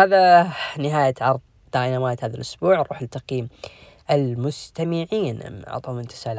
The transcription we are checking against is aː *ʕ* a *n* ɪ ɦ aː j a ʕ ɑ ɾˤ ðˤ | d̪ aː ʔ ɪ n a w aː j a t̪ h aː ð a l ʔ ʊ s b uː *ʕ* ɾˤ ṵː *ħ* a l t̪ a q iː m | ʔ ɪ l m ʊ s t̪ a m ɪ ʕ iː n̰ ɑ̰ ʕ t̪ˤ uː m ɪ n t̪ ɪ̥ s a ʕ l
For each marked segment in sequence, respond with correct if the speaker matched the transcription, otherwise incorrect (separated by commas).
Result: incorrect, correct, correct, correct